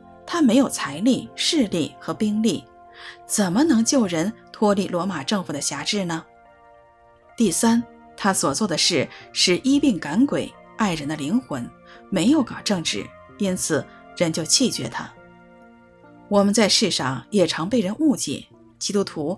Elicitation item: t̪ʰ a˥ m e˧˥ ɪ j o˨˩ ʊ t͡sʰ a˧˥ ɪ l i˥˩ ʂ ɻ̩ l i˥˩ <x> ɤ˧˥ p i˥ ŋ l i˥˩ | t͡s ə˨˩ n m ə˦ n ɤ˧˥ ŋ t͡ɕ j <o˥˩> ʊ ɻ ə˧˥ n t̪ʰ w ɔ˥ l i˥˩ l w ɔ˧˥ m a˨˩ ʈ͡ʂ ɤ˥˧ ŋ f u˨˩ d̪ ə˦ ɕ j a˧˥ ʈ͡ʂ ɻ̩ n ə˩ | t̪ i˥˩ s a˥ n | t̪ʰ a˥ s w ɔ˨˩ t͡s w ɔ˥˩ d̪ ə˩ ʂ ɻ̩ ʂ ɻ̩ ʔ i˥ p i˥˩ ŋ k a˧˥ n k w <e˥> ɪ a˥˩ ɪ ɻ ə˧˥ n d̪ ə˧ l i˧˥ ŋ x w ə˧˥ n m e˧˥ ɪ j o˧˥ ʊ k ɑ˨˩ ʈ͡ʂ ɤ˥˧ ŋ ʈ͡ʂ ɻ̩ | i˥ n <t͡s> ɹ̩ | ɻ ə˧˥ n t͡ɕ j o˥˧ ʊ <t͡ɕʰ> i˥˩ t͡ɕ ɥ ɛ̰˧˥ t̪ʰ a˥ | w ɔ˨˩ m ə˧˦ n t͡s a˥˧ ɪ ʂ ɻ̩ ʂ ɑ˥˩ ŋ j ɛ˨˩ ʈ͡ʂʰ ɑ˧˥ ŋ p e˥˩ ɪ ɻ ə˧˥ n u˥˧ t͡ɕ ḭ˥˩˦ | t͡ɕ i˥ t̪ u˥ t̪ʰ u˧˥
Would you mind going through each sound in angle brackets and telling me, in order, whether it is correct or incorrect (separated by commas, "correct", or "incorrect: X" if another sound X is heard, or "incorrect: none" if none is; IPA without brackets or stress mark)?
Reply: correct, correct, incorrect: e˨˩, incorrect: t͡sʰ, correct